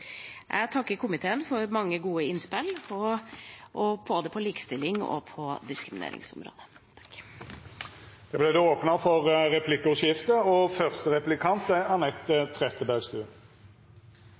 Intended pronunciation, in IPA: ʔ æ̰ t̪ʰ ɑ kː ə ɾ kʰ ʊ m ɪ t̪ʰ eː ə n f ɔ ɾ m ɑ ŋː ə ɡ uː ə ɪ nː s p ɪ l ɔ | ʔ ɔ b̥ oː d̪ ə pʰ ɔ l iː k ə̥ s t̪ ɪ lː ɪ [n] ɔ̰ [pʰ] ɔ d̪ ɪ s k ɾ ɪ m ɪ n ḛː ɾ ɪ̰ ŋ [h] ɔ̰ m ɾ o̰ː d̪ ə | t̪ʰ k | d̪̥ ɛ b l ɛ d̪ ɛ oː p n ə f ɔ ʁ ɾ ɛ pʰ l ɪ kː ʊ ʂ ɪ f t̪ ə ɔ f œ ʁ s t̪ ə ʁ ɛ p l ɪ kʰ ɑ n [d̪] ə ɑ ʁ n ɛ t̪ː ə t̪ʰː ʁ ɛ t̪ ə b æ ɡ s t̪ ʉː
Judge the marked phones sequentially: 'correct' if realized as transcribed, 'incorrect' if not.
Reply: incorrect: ŋ, correct, incorrect: s, incorrect: t̪

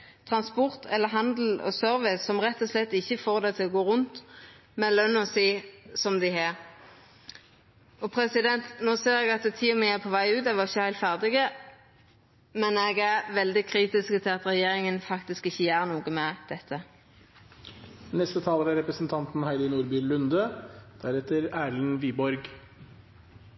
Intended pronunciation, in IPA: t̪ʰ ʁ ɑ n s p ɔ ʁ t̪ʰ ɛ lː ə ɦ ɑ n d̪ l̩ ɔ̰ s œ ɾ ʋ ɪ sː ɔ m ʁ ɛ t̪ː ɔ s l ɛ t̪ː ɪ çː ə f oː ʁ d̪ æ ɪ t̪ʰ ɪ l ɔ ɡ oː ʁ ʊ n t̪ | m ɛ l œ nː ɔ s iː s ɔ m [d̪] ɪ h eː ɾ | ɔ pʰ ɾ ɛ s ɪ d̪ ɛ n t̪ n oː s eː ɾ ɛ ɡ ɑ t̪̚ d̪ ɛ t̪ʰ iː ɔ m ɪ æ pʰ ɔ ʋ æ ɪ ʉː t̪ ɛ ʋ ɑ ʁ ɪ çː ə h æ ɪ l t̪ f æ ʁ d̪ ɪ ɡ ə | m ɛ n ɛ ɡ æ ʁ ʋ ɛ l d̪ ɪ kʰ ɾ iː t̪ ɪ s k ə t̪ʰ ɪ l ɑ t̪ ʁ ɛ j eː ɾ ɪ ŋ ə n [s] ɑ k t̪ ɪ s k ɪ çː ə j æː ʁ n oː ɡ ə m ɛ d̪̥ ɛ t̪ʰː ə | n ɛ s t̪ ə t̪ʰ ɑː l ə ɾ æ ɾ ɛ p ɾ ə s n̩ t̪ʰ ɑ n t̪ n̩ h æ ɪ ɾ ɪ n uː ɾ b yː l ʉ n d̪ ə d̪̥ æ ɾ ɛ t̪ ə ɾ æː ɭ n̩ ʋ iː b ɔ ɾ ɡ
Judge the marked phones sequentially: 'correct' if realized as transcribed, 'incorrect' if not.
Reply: correct, incorrect: f

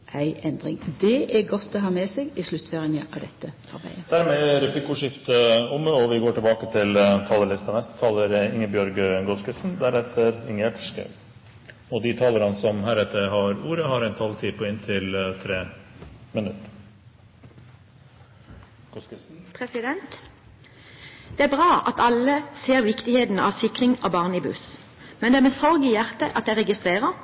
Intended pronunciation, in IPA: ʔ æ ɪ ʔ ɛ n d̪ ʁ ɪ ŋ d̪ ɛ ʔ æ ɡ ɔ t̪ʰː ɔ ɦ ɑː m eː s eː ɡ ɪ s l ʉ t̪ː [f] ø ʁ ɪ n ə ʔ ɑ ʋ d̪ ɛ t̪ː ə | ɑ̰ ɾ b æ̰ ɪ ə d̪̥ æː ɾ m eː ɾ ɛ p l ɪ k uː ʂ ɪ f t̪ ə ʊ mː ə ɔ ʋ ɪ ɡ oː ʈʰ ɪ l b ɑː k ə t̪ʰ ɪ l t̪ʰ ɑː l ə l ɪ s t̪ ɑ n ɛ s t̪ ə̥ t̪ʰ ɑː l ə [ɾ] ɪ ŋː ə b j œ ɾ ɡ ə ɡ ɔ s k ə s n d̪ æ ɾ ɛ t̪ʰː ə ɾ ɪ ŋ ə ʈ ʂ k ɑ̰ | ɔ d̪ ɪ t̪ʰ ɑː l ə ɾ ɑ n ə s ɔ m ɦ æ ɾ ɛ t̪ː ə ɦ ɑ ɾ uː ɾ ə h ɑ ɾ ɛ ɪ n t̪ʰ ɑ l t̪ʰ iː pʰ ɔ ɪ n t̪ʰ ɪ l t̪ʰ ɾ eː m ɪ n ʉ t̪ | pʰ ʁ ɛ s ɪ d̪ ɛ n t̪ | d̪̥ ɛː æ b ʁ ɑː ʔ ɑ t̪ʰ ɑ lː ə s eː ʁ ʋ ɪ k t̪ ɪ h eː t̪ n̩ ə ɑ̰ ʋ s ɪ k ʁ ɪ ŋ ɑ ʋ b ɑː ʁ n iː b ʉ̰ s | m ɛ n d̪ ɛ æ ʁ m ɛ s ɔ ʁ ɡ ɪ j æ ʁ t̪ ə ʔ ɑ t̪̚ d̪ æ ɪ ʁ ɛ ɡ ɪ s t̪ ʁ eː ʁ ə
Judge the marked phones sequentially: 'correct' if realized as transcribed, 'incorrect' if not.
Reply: correct, correct

